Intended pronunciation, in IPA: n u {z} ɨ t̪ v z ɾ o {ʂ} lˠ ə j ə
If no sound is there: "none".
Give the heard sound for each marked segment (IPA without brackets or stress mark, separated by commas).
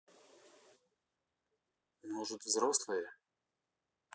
ʐ, s